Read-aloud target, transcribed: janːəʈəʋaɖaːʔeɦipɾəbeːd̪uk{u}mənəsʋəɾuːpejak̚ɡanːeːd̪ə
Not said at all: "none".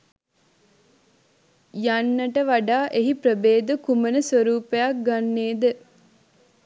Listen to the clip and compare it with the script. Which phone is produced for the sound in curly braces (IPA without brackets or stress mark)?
u